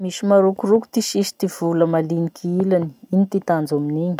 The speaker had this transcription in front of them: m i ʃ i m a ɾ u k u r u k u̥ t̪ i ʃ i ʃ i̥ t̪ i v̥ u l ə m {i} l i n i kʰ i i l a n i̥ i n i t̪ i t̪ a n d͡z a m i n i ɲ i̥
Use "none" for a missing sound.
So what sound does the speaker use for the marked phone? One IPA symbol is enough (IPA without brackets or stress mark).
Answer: a